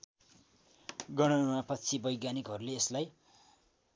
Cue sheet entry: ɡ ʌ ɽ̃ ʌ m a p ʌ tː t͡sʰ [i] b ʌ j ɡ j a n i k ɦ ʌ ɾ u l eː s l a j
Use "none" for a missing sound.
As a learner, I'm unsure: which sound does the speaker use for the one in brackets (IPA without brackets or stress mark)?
i